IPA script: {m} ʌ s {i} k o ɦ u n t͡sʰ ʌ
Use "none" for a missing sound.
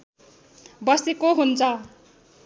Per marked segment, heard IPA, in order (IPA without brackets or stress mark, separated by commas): b, e